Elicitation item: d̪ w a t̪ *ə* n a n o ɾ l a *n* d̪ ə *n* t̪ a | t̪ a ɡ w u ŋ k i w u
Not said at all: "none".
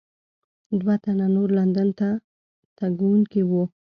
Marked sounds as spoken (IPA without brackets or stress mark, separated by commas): a, n, n